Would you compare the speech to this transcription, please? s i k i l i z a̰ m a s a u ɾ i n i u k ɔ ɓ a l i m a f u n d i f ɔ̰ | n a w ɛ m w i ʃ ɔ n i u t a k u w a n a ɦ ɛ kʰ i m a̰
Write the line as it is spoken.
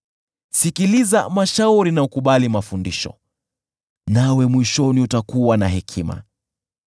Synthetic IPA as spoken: s i k i l i z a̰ m a ʃ a u ɾ i n a u k u ɓ a l i m a f u n d i ʃ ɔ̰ | n a w ɛ m w i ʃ ɔ n i u t a k u w a n a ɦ ɛ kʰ i m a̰